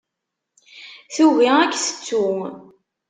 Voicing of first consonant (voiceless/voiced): voiceless